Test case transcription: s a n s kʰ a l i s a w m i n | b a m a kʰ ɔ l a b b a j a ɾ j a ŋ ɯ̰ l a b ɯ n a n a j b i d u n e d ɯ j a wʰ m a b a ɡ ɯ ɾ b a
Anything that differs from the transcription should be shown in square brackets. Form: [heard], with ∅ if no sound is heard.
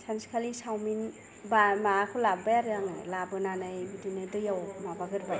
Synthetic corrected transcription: s a n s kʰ a l i s a w m i n | b a m a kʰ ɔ l a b b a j a ɾ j a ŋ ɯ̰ l a b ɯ n a n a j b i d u n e d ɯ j a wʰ m a b a ɡ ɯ ɾ b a

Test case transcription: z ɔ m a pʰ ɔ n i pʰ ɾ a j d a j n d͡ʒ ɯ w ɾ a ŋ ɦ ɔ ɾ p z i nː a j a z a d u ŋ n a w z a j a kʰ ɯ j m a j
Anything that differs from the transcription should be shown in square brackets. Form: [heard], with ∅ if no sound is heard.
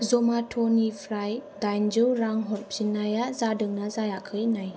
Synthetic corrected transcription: z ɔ m a [tʰ] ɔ n i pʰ ɾ a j d a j n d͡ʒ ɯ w ɾ a ŋ ɦ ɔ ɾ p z i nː a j a z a d [ɯ] ŋ n a [∅] z a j a kʰ ɯ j [n] a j

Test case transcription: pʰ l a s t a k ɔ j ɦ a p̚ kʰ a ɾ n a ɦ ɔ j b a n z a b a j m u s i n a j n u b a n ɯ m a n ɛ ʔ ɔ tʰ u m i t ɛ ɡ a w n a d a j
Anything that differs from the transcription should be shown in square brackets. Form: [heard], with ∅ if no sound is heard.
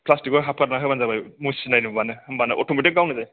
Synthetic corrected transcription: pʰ l a s t [i] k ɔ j ɦ a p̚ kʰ a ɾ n a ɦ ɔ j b a n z a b a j m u s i n a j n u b a n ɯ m a n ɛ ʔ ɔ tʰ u m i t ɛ ɡ a w n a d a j

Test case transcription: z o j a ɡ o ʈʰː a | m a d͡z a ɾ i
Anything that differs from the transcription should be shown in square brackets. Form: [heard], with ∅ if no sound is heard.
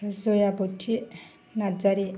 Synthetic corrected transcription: z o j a [b] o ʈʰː [i] | [n] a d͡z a ɾ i

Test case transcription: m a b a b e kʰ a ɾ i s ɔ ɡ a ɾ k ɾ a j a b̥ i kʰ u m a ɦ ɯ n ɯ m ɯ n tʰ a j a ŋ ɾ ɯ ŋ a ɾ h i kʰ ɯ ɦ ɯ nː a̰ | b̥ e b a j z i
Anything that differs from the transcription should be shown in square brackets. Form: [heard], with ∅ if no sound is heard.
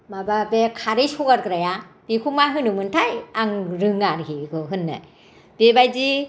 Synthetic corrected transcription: m a b a b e kʰ a ɾ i s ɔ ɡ a ɾ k ɾ a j a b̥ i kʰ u m a ɦ ɯ n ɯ m ɯ n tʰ a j a ŋ ɾ ɯ ŋ a ɾ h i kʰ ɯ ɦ ɯ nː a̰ | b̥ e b a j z i

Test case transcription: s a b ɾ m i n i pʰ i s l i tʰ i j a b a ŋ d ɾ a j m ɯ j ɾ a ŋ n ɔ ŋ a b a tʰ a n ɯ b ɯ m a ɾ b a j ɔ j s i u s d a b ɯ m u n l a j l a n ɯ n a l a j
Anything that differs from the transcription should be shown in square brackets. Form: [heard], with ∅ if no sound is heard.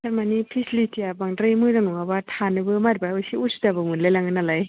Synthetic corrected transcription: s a [∅] ɾ m [a] n i pʰ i s l i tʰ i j a b a ŋ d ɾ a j m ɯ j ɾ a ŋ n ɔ ŋ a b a tʰ a n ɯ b ɯ m a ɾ b a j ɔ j s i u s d a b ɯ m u n l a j l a [ŋ] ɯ n a l a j

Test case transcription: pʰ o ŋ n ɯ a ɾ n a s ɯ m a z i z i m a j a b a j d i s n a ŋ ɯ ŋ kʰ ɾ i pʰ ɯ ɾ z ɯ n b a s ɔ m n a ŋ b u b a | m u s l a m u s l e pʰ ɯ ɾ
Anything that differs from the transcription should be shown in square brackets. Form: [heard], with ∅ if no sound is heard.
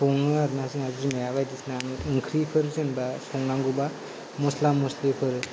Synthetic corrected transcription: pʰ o ŋ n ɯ a ɾ n a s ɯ [ŋ] a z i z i m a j a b a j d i s n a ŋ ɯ ŋ kʰ ɾ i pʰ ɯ ɾ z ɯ n b a s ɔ [ŋ] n a ŋ [ɡ] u b a | m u s l a m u s l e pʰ ɯ ɾ

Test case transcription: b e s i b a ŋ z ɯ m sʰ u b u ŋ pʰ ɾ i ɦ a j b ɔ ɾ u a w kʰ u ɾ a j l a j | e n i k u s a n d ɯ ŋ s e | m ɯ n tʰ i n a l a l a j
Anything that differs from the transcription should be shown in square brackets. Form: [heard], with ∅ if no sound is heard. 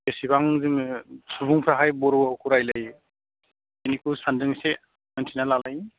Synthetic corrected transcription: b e s i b a ŋ z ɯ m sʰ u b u ŋ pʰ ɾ [a] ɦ a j b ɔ ɾ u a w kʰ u ɾ a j l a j | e n i k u s a n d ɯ ŋ s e | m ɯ n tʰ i n a l a l a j

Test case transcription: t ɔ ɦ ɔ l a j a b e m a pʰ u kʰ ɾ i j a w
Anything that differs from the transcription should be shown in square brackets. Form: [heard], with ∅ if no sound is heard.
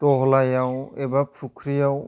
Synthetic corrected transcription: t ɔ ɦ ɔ l a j a [w] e [b] a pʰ u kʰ ɾ i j a w

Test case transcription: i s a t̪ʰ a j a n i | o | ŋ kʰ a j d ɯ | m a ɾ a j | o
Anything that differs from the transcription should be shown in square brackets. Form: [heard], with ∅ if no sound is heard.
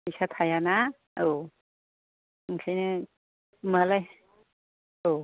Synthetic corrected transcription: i s a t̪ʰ a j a n [a] | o | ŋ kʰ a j [n] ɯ | m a [l] a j | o

